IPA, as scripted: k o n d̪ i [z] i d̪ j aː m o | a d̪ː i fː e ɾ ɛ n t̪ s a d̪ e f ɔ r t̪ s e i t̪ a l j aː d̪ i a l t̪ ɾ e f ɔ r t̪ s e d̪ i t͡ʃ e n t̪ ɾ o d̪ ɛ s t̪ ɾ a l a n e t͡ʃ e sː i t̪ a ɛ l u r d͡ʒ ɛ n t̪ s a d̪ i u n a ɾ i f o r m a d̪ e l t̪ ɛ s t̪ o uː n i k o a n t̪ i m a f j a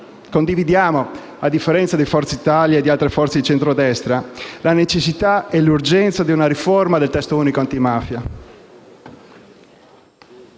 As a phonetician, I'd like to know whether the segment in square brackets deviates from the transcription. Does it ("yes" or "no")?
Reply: yes